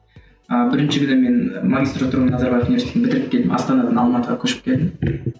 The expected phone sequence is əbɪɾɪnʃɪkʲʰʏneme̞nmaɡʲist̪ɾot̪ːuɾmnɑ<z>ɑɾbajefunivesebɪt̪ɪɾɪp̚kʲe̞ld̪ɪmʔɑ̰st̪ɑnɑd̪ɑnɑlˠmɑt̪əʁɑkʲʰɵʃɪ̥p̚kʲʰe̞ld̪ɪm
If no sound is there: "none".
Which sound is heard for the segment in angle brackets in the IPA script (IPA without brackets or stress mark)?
z